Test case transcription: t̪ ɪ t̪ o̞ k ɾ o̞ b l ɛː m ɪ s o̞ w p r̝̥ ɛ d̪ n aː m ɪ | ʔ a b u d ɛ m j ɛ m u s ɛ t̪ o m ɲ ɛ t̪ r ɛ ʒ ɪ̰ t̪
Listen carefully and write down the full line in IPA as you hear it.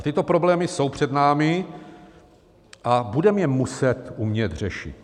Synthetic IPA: t̪ ɪ t̪ o̞ p ɾ o̞ b l ɛː m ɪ s o̞ w p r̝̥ ɛ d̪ n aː m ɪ | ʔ a b u d ɛ m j ɛ m u s ɛ t̪ u m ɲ ɛ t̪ r ɛ ʃ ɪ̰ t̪